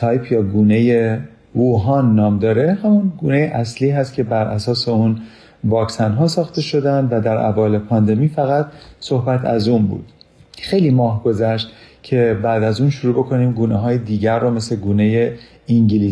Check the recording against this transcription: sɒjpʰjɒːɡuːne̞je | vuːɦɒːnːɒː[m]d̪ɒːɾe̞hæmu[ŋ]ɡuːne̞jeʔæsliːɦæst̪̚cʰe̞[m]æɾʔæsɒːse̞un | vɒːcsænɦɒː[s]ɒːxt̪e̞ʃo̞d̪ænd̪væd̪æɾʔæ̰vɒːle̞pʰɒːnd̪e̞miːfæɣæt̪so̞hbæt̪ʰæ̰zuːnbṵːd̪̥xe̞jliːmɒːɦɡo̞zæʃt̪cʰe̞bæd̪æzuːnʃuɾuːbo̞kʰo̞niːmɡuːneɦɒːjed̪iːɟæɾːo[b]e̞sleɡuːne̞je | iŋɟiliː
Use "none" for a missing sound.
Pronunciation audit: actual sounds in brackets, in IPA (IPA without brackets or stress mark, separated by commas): m, n, b, s, m